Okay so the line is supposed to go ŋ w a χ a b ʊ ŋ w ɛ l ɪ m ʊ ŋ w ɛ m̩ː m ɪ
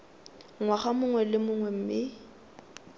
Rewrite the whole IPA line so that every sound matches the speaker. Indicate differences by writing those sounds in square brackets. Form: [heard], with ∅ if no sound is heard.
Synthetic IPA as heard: ŋ w a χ a [m] ʊ ŋ w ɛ l ɪ m ʊ ŋ w ɛ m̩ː m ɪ